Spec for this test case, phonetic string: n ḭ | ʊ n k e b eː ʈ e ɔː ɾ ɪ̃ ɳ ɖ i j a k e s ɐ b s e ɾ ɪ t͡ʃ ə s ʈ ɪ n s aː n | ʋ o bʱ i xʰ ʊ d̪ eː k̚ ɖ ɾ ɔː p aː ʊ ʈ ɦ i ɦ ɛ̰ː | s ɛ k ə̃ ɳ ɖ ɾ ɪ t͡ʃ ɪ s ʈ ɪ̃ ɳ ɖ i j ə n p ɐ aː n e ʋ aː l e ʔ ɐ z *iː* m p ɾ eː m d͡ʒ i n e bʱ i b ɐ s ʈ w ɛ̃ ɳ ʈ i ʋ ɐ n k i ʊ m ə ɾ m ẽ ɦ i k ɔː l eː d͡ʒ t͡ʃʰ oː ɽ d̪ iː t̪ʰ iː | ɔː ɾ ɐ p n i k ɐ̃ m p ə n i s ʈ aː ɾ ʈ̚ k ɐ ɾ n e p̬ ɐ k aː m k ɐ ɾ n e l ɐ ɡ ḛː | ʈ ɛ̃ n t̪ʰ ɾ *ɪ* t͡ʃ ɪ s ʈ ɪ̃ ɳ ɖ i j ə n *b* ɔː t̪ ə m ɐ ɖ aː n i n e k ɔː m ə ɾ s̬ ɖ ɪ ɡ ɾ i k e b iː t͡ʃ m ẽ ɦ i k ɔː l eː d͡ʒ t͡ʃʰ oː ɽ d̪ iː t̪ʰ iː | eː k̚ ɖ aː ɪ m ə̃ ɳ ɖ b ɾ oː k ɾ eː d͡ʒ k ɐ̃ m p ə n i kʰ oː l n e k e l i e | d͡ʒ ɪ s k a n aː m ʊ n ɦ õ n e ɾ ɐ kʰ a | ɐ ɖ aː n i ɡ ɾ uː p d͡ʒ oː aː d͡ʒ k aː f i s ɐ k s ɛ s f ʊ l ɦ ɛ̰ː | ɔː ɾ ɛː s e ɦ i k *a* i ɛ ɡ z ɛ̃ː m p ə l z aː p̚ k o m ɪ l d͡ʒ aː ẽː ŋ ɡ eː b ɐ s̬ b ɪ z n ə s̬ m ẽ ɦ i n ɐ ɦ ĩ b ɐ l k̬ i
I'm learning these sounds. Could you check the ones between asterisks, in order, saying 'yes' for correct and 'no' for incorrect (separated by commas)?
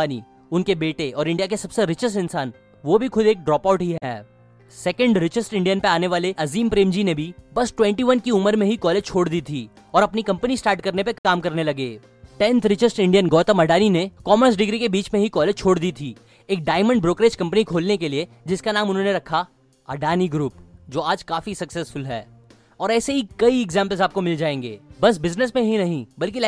yes, yes, no, no